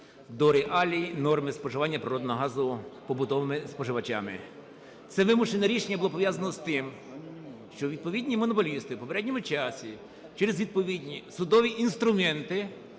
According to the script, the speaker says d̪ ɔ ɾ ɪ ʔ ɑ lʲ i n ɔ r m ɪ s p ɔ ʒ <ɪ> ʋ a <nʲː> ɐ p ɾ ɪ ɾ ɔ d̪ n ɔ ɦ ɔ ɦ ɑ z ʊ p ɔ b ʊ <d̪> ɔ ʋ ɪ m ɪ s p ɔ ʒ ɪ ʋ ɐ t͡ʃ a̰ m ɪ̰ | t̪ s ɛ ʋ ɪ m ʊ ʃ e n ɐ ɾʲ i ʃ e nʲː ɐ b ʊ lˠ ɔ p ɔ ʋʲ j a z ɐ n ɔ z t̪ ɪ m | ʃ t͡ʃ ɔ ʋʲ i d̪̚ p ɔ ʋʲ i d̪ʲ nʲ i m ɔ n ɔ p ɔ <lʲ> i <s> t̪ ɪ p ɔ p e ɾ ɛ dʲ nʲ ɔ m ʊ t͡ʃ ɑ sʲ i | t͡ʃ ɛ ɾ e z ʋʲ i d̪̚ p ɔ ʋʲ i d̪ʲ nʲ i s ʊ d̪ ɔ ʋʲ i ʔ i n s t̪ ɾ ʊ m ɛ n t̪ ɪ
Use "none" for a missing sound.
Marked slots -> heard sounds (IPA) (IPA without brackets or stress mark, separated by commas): ɪ, nʲː, t̪, lʲ, s